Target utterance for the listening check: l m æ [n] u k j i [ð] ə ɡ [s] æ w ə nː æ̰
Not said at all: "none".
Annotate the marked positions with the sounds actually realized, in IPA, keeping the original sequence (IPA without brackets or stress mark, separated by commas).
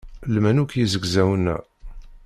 n, z, z